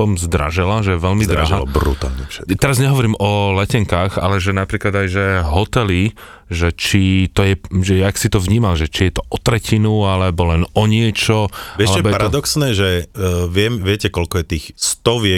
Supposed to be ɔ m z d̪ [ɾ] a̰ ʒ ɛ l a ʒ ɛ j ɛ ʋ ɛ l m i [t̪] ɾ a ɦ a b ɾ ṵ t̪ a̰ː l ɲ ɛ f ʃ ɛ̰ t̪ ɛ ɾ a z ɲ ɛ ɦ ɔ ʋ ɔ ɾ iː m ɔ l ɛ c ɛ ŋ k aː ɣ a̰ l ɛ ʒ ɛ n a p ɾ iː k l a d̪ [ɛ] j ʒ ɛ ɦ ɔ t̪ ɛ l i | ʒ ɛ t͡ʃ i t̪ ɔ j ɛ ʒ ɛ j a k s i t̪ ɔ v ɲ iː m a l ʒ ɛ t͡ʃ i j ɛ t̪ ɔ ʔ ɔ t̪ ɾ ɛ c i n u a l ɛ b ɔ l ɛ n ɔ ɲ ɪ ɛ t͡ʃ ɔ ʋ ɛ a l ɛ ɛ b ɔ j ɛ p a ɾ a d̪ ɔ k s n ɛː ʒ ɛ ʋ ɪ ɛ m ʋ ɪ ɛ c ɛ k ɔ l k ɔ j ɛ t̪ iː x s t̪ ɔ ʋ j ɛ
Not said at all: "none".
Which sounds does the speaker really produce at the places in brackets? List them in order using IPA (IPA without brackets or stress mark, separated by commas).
ɾ, d̪, a